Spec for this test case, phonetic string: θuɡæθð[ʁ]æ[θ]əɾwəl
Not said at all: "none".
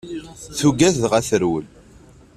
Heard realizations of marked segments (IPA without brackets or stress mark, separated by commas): ʁ, θ